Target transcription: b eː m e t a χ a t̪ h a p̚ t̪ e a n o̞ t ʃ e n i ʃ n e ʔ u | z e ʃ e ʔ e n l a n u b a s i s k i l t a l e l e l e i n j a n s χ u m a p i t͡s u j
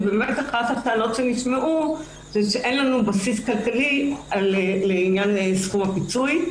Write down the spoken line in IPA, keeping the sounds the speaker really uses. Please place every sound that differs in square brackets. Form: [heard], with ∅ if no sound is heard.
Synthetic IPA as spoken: b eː m e t a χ a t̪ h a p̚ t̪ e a n o̞ t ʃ e n i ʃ [m] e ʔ u | z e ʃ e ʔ e n l a n u b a s i s k [a] l [k] a l [i] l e l e i n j a n s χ u m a p i t͡s u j

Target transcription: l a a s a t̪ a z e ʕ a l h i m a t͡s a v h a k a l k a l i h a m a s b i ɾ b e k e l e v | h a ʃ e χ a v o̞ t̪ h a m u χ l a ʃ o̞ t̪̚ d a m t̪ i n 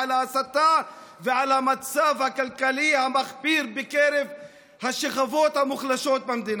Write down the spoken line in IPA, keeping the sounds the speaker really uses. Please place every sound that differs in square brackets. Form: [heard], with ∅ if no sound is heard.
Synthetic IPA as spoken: l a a s a t̪ a [v] e ʕ a l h [a] m a t͡s a v h a k a l k a l i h a m a [χ] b i ɾ b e k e [ɾ] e v | h a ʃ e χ a v o̞ t̪ h a m u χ l a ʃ o̞ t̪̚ [b] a m [d̪] i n

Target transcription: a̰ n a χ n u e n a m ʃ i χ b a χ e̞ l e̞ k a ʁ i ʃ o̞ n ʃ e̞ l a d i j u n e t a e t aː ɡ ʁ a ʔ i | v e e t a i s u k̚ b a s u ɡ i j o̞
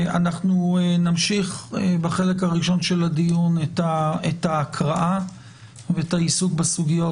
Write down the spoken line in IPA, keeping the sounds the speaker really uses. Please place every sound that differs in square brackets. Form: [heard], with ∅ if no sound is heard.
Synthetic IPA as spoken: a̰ n a χ n u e n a m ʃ i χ b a χ e̞ l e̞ k a ʁ i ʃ o̞ n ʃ e̞ l a d i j u n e t a e t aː [k] ʁ a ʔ [a] | v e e t a i s u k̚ b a s u ɡ i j o̞

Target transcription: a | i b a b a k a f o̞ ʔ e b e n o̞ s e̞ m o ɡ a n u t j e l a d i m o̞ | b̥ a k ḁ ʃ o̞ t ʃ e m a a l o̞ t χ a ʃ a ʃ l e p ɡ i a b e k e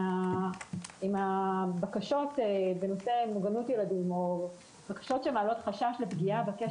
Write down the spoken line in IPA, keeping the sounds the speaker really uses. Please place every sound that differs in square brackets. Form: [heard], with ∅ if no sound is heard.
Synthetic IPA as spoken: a | i [m] a b a k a [ʃ] o̞ [t] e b e n o̞ s e̞ m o ɡ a n u t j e l a d i m o̞ | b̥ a k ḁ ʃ o̞ t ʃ e m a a l o̞ t χ a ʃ a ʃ l e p ɡ i a b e k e

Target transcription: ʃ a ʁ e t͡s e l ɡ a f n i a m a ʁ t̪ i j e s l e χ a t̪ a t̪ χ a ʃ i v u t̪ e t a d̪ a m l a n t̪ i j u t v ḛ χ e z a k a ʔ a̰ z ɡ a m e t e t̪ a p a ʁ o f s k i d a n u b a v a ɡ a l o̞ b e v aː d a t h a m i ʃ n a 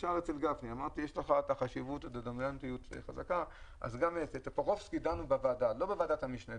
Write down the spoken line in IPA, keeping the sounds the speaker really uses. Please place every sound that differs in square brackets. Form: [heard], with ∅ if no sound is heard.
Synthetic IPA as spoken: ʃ a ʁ e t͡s e l ɡ a f n i a m a ʁ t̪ i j e [ʃ] l e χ a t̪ a [∅] χ a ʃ i v u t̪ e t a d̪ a m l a n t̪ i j u t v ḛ χ [a] z a k a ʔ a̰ z ɡ a m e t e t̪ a p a ʁ o f s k i d a n u b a v a [d] a l o̞ b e v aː d a t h a m i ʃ n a

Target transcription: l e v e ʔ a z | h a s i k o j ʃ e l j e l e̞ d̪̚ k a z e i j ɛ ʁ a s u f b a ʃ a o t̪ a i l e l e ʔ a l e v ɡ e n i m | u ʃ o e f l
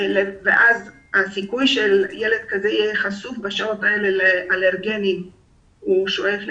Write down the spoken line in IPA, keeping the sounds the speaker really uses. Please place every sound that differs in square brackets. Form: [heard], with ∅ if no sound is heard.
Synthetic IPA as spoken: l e v e ʔ a z | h a s i k [u] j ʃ e l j e l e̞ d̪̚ k a z e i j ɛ [χ] a s u f b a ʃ a o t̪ a [e] l e l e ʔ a l e [ʁ] ɡ e n i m | u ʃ o e f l

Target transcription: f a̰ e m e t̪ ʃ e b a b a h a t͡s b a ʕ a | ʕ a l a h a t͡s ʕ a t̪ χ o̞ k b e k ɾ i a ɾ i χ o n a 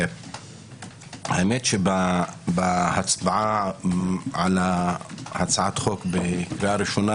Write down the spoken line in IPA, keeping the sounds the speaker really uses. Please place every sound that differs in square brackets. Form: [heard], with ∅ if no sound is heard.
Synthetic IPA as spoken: [h] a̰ e m e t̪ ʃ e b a b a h a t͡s b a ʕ a | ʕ a l a h a t͡s ʕ a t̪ χ o̞ k b e k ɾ i a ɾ i [ʃ] o n a

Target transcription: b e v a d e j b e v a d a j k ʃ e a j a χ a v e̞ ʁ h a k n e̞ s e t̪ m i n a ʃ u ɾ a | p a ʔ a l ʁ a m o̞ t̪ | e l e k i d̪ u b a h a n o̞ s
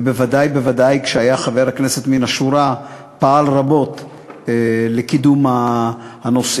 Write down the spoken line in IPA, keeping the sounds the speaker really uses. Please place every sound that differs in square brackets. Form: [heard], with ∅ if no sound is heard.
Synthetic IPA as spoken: b e v a d [a] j b e v a d a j k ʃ e a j a χ a v e̞ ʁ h a k n e̞ s e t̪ m i n a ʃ u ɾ a | p a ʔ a l ʁ a [b] o̞ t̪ | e l e k i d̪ u [m] a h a n o̞ s

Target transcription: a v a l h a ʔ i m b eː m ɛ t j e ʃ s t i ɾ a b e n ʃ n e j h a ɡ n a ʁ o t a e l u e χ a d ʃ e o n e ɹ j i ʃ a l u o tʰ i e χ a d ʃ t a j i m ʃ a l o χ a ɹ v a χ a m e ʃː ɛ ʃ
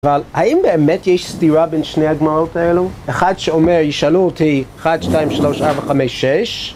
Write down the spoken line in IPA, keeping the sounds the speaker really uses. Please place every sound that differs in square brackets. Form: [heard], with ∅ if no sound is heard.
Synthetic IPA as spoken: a v a l h a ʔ i m b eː m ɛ t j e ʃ s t i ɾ a b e n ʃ n e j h a ɡ [m] a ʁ o t a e l u e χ a d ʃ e o [m] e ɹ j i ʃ a l u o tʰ i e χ a d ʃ t a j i m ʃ a l o [ʃ] a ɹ v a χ a m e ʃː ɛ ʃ

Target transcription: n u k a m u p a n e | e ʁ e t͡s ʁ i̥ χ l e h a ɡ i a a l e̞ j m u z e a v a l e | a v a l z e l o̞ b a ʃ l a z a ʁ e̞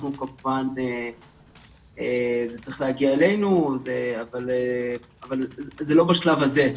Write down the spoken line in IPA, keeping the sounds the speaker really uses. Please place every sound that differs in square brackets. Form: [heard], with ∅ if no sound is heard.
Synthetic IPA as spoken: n u k a m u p a n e | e [z] e t͡s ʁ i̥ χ l e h a ɡ i a [e] l e̞ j [n] u z e a v a l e | a v a l z e l o̞ b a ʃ l a [v] a [z] e̞

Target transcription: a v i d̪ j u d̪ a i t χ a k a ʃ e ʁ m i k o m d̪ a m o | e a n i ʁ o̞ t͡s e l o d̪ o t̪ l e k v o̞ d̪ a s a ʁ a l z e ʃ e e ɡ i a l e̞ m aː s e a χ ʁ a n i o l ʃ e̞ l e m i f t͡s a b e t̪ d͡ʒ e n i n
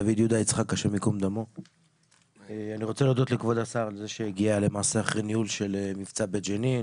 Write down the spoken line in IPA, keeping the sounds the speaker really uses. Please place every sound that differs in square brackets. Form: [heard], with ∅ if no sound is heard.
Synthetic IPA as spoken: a v i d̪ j u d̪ a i [t͡s] χ a k a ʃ e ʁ m i k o m d̪ a m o | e a n i ʁ o̞ t͡s e l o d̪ o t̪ l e k v o̞ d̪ a s a ʁ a l z e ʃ e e ɡ i a l e̞ m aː s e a χ ʁ [e] n i [u] l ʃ e̞ l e m i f t͡s a b e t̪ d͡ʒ e n i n

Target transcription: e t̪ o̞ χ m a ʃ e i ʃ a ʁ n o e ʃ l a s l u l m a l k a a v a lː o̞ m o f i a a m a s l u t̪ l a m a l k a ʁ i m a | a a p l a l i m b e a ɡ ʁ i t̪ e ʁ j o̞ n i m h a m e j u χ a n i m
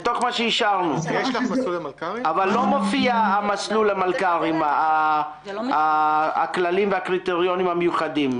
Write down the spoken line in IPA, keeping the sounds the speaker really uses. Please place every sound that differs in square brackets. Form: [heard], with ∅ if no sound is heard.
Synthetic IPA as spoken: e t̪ o̞ χ m a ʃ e i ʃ a ʁ n [u] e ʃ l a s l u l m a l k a a v a lː o̞ m o f i a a m a s l u [∅] l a m a l k a ʁ i m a | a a [k] l a l i m [v] e a [k] ʁ i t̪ e ʁ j o̞ n i m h a m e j u χ a [d] i m

